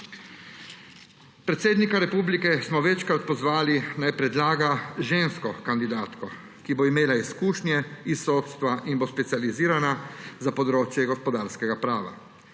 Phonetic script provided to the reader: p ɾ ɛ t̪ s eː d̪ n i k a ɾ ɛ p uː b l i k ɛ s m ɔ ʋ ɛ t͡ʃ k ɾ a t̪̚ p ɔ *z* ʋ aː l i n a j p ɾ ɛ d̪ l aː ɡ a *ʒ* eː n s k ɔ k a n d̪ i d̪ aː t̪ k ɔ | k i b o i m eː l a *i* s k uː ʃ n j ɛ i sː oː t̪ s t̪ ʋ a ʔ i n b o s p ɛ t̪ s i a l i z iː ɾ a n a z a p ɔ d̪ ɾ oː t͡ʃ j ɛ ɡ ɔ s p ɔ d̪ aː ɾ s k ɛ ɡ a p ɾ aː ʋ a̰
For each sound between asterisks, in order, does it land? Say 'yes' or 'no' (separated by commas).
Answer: yes, yes, yes